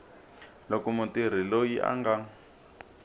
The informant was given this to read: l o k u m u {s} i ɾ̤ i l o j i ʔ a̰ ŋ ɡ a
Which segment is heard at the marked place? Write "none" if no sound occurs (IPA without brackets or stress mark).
t